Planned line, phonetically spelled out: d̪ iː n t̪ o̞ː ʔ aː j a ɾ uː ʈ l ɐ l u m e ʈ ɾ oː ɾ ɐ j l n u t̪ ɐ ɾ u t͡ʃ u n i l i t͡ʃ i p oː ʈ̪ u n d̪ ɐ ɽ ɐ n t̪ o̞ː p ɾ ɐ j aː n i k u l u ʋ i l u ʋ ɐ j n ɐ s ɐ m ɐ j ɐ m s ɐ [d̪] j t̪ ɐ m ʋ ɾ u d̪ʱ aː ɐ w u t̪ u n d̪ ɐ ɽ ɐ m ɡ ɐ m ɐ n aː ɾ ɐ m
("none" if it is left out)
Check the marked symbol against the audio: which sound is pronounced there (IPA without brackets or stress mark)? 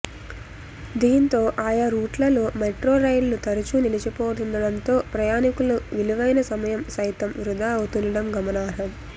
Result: none